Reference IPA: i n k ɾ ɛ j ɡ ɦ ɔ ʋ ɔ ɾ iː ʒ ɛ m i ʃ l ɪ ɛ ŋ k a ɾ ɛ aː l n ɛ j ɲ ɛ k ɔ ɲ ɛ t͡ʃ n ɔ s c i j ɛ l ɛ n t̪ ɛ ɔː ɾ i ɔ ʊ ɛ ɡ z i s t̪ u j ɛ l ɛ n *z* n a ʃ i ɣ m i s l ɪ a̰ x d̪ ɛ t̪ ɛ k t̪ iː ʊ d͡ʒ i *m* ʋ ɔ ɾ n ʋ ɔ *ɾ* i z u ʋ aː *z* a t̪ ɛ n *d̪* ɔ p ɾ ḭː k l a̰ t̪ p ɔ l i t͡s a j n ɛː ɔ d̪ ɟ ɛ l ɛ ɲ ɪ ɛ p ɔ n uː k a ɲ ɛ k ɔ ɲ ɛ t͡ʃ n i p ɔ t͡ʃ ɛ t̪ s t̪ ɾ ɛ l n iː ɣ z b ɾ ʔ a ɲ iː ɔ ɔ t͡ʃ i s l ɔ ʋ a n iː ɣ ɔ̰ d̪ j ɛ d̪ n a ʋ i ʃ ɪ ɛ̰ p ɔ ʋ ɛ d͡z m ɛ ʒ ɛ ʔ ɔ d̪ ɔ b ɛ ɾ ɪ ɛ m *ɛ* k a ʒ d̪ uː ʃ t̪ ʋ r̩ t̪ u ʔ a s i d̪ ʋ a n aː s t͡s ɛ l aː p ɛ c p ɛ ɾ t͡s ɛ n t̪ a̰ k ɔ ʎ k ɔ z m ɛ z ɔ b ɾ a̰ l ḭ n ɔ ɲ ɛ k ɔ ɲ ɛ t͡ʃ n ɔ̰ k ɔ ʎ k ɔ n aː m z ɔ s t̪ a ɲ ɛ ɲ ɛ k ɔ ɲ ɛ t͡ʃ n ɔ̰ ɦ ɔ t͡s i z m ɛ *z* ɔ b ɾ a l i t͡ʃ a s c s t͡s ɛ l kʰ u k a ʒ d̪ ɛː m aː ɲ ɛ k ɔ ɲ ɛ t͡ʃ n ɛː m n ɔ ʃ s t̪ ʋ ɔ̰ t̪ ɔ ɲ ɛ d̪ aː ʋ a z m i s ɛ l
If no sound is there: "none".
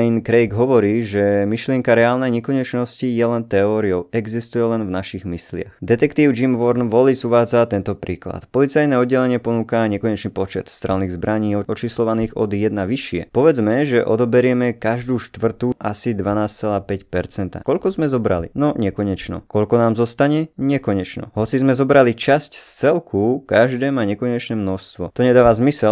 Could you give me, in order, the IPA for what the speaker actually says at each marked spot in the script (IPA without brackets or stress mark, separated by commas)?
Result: v, m, l, d͡z, t̪, ɛ, z